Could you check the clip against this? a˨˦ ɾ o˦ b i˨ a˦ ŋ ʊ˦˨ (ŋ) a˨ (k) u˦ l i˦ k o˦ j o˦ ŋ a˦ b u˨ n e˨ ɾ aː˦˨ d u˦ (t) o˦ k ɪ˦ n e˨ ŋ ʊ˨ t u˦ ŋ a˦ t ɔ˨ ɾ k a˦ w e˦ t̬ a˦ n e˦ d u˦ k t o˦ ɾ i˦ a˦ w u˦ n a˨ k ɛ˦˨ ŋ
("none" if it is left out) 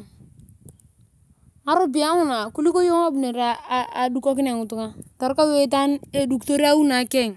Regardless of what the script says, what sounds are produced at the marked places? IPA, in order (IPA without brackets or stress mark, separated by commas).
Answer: n, k, k